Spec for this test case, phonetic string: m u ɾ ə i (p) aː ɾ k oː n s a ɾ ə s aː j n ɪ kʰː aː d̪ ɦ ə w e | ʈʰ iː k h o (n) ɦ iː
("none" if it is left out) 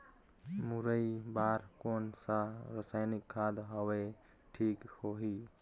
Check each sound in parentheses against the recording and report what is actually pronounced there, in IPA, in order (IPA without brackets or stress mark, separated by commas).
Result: b, none